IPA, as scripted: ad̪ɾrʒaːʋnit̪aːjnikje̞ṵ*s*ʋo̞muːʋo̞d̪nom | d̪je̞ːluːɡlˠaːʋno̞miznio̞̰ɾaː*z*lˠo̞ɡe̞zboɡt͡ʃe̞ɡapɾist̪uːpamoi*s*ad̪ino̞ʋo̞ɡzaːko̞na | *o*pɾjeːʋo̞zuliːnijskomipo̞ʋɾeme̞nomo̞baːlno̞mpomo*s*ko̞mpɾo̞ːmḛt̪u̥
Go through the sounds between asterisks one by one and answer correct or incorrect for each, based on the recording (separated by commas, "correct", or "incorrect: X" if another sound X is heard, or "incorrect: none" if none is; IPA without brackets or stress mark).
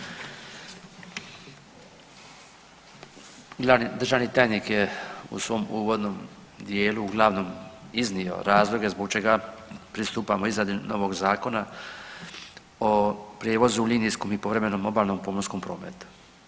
correct, correct, incorrect: z, correct, correct